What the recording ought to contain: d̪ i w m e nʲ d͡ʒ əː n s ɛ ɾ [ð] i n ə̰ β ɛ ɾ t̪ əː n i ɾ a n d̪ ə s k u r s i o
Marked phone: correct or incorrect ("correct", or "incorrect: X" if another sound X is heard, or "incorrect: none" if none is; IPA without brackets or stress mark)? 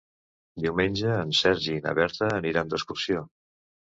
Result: incorrect: ʒ